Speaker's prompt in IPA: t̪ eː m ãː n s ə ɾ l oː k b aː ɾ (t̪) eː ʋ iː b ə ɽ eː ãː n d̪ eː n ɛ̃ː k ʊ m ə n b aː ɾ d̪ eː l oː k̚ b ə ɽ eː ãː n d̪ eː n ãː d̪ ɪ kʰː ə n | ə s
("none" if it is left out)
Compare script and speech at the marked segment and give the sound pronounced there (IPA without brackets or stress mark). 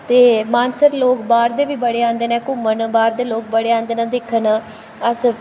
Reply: d̪